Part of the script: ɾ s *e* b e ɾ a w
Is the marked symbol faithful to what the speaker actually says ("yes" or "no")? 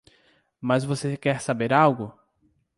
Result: no